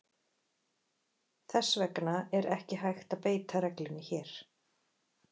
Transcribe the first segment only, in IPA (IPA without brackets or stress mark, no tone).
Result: θ